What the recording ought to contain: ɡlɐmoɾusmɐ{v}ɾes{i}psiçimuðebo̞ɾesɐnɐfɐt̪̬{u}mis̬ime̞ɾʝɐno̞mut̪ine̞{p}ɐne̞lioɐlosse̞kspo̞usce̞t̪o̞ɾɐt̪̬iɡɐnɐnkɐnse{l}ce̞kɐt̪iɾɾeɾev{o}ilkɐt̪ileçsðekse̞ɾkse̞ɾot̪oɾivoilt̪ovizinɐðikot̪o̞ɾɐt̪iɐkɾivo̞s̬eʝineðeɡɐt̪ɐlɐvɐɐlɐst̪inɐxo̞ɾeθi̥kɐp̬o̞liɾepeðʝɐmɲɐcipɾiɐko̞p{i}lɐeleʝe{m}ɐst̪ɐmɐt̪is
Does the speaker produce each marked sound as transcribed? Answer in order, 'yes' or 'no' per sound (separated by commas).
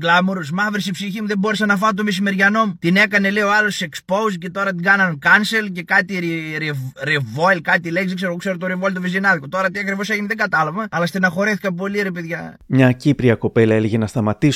yes, yes, no, no, yes, yes, no, no